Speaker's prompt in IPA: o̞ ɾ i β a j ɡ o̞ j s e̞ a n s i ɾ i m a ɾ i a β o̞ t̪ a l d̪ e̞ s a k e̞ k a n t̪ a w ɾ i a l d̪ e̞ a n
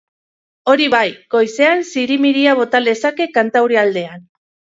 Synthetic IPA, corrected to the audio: o̞ ɾ i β a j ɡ o̞ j s e̞ a n s i ɾ i m i ɾ i a β o̞ t̪ a l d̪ e̞ s a k e̞ k a n t̪ a w ɾ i a l d̪ e̞ a n